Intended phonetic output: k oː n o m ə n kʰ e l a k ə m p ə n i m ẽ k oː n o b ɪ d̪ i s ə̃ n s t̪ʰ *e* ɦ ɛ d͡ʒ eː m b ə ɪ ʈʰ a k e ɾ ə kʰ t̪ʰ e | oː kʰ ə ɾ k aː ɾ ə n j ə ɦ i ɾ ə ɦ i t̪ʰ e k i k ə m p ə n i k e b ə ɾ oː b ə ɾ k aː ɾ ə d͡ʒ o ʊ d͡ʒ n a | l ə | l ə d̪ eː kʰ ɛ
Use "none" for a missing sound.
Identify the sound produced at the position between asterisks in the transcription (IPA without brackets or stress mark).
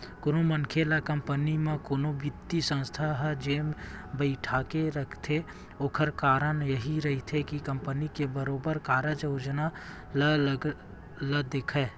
a